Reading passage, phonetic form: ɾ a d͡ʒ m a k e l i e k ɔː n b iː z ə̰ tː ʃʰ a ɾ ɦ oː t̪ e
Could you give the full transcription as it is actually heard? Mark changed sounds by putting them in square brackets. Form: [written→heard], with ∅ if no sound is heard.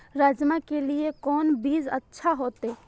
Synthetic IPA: ɾ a d͡ʒ m a k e l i e k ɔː n b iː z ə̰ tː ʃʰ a [ɾ→∅] ɦ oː t̪ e